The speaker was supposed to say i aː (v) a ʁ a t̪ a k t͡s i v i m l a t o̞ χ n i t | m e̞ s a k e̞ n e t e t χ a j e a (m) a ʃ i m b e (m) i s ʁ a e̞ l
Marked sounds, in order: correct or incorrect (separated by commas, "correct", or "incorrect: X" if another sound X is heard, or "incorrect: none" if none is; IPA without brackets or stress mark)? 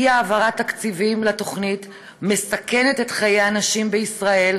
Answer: correct, incorrect: n, incorrect: none